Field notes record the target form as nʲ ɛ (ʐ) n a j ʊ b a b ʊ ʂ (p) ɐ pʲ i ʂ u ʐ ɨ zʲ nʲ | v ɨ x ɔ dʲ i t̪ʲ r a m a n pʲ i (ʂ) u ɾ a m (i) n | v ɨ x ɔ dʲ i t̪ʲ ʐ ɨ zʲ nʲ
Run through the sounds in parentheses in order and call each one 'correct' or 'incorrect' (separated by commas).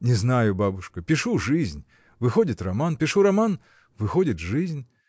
incorrect, incorrect, correct, incorrect